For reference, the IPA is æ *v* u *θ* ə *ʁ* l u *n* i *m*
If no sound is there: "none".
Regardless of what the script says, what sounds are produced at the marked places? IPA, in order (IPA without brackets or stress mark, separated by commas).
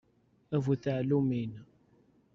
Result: v, θ, ʕ, m, n